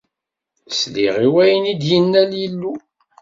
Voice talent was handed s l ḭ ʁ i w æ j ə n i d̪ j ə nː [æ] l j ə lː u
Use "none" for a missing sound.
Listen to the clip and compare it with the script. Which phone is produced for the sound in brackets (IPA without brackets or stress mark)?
æ